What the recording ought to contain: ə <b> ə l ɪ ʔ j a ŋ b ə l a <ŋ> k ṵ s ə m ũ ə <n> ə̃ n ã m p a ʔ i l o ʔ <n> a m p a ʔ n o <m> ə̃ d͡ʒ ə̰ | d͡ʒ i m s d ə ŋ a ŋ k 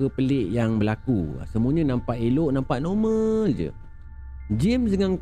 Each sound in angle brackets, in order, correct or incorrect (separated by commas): incorrect, incorrect, incorrect, correct, correct